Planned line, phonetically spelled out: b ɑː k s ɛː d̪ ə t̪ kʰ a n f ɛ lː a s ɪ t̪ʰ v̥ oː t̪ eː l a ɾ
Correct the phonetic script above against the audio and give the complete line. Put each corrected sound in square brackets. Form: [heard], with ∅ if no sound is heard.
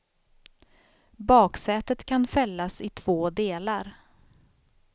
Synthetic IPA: b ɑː k s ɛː [t̪] ə t̪ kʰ a n f ɛ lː a s ɪ t̪ʰ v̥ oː [d̪] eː l a ɾ